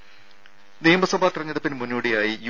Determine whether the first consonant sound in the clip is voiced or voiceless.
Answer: voiced